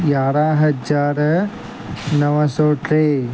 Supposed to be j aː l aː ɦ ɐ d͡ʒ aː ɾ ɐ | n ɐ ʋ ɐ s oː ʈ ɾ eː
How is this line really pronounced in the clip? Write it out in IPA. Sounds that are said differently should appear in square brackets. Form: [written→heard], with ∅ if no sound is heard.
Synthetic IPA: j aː [l→ɾ] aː ɦ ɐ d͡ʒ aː ɾ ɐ | n ɐ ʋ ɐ s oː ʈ ɾ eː